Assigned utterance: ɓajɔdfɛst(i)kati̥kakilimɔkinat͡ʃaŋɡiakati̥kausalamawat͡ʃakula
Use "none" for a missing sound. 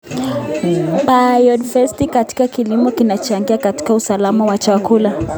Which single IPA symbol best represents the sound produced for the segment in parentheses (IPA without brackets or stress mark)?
i